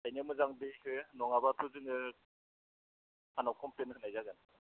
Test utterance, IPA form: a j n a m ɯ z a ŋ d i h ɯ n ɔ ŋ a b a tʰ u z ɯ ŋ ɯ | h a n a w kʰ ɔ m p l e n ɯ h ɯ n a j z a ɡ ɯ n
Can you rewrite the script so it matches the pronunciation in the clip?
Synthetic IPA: a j n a m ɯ z a ŋ d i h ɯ n ɔ ŋ a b a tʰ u z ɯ ŋ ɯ | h a n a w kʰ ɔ m p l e n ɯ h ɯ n a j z a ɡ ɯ n